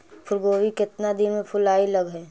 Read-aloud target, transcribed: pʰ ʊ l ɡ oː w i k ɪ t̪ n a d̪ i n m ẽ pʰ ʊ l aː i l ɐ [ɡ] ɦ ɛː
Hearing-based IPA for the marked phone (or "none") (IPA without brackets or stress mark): ɡ